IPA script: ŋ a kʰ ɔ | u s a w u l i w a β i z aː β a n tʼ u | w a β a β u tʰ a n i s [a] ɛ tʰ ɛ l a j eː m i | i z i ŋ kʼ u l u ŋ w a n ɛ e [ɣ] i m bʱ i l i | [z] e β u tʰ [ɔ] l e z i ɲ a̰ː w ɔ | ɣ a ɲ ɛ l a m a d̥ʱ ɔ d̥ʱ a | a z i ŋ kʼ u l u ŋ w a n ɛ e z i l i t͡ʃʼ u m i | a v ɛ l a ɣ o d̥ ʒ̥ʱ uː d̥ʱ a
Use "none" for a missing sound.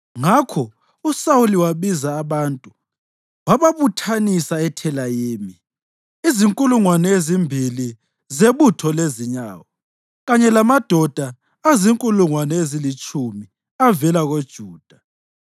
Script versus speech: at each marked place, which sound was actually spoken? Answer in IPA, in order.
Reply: a, z, z, ɔ

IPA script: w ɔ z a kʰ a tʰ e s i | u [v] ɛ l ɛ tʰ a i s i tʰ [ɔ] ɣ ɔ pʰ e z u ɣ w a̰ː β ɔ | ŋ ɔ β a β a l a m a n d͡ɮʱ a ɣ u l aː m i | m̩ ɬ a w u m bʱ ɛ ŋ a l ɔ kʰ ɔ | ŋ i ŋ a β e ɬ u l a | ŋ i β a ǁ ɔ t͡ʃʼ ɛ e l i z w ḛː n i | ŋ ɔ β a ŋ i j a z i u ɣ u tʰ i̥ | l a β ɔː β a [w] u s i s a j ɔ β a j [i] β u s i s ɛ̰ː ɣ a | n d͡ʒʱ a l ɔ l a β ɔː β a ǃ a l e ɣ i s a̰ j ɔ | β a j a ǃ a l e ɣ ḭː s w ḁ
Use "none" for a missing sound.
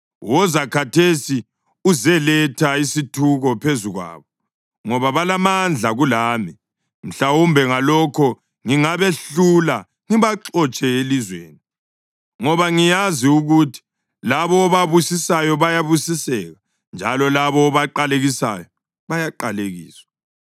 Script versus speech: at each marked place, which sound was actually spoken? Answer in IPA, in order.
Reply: z, u, β, a

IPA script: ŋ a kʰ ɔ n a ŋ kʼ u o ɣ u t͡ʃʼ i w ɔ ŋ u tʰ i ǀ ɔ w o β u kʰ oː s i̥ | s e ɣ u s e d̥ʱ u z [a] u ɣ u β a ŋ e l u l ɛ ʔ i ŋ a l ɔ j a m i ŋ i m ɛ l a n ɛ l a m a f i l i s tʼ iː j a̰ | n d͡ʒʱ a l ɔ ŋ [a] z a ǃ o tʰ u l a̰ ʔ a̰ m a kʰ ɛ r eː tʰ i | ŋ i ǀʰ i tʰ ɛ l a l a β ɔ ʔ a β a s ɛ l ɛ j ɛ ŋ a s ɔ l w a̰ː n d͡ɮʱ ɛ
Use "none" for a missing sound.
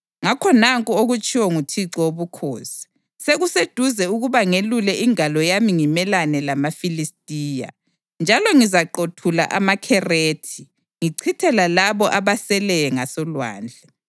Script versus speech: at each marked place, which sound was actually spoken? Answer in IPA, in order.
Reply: ɛ, i

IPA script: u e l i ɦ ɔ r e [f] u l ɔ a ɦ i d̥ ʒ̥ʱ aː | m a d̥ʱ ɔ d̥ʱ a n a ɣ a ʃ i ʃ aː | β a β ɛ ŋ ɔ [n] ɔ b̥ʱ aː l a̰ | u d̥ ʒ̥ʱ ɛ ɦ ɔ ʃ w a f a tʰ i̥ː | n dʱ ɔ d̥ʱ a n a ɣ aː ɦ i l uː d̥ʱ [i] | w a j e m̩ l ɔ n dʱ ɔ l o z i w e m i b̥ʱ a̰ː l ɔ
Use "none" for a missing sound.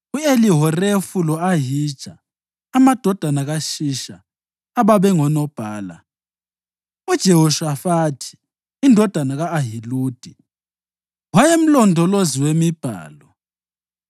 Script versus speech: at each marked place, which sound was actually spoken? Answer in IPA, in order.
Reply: f, n, i

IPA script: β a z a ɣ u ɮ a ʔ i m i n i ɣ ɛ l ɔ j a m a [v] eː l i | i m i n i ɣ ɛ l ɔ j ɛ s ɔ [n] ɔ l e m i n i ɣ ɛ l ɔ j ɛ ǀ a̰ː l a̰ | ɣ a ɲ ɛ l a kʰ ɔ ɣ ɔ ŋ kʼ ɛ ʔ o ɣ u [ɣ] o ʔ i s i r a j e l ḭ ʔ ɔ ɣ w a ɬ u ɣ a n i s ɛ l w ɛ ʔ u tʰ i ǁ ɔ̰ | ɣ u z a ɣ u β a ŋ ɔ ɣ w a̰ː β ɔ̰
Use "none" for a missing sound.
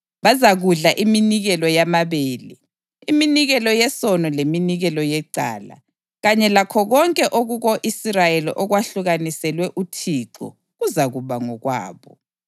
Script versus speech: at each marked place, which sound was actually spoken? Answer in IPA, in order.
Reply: β, n, ɣ

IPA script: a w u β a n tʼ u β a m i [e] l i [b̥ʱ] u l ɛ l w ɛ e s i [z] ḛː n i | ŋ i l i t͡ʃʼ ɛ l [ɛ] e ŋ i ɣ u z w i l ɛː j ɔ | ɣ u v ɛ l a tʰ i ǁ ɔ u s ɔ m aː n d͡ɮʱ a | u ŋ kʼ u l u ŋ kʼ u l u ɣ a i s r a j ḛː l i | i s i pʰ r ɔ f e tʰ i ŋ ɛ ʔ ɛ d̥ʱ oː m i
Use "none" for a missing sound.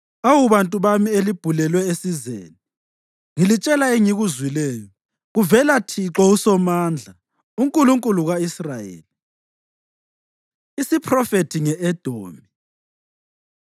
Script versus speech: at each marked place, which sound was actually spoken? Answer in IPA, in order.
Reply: e, b̥ʱ, z, a

